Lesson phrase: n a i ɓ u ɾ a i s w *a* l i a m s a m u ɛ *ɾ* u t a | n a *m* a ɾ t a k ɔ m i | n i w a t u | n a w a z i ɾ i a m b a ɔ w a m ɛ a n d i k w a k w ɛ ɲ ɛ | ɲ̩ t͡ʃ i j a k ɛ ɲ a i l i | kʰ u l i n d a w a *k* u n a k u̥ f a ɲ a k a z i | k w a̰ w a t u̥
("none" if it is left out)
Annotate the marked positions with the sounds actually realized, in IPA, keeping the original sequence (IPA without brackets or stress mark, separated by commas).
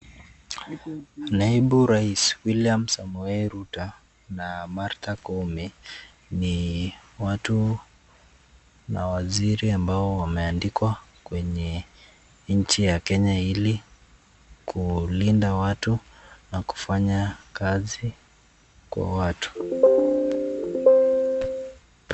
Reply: i, ɾ, m, t